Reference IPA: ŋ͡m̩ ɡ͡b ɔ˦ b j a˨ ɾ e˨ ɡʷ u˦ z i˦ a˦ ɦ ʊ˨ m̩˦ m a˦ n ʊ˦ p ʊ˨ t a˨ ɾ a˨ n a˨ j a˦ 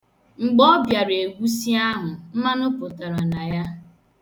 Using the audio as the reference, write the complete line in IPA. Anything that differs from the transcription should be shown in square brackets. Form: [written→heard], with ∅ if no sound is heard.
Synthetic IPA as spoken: ŋ͡m̩ ɡ͡b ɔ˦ b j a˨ ɾ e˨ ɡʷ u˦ [z→s] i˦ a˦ ɦ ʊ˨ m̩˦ m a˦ n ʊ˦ p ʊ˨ t a˨ ɾ a˨ n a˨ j a˦